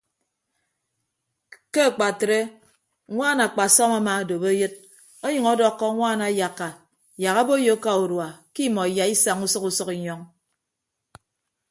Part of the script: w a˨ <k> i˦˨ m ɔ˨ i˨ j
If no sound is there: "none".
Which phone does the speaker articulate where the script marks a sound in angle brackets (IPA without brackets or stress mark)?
k